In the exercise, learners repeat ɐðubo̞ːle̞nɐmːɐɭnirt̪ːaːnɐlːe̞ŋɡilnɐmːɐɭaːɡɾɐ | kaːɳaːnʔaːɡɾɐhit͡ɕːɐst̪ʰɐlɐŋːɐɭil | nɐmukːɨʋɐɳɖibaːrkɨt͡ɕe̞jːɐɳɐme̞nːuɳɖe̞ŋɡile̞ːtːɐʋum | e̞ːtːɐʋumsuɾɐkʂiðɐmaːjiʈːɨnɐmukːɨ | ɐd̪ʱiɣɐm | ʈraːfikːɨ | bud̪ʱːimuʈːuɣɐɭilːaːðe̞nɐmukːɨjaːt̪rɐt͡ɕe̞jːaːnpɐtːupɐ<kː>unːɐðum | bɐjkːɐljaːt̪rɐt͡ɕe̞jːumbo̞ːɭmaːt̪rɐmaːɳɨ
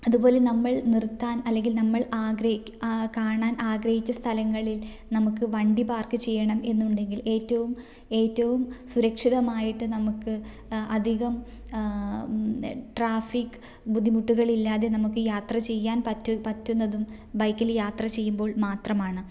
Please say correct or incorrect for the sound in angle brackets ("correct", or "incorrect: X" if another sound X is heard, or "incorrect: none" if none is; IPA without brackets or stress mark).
incorrect: tː